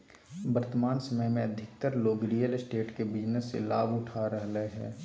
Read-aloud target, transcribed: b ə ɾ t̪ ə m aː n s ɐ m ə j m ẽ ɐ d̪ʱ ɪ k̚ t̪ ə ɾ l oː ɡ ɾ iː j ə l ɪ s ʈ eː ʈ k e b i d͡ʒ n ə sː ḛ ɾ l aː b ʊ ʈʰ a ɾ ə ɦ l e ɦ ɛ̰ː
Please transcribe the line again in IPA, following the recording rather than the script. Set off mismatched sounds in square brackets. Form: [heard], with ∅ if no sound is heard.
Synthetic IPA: b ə ɾ t̪ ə m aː n s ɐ m ə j m ẽ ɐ d̪ʱ ɪ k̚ t̪ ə ɾ l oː ɡ ɾ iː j ə l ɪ s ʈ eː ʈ k e b [ɪ] d͡ʒ n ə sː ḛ [∅] l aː b ʊ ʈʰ a ɾ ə ɦ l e ɦ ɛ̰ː